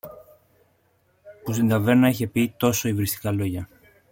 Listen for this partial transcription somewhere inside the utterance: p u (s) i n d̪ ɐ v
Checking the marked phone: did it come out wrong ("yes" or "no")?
no